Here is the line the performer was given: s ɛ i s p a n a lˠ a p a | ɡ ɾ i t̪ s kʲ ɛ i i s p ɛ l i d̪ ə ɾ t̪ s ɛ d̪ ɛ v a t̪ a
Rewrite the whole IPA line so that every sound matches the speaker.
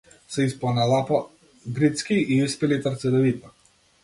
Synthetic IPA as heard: s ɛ i s p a n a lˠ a p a | ɡ ɾ i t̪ s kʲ i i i s p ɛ l i t̪ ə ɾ t̪ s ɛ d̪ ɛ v i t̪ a